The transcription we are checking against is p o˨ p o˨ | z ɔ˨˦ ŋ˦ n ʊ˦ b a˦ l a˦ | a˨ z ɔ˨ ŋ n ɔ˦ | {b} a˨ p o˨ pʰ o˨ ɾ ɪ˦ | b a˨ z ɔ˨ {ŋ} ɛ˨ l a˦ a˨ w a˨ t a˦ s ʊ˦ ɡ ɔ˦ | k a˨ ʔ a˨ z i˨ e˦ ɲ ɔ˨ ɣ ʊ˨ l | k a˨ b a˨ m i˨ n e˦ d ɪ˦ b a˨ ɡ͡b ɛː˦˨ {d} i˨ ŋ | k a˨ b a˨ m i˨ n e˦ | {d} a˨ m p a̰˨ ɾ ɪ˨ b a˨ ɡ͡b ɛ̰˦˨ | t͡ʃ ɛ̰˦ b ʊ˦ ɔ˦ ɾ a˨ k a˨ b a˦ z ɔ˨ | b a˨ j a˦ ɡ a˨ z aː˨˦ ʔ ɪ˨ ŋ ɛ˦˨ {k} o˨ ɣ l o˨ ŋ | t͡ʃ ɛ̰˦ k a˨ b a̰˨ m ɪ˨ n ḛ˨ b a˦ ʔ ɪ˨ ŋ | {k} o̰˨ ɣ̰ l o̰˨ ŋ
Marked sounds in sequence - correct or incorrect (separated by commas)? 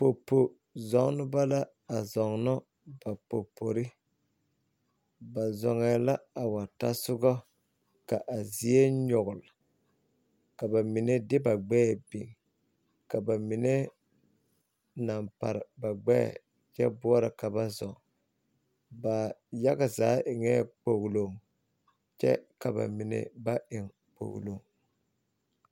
correct, correct, incorrect, incorrect, incorrect, incorrect